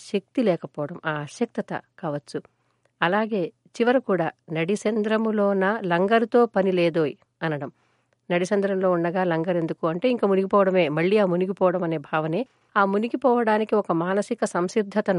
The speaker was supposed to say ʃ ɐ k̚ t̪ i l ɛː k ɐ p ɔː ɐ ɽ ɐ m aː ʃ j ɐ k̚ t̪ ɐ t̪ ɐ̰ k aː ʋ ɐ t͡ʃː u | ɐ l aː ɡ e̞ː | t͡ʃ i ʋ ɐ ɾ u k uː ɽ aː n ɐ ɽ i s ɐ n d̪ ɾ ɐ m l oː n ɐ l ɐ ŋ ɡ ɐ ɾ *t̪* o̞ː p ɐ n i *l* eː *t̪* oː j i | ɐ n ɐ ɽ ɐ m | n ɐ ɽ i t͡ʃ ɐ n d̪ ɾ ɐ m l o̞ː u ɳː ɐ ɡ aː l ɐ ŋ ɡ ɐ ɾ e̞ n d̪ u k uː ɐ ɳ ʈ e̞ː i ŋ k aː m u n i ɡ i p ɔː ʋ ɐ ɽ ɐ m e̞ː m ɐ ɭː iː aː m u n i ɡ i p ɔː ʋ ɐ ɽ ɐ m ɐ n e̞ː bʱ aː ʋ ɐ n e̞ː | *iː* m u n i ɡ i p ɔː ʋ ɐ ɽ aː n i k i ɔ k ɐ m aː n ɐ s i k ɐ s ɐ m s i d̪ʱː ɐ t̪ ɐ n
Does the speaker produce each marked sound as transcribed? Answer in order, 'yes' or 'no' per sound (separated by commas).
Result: yes, yes, no, no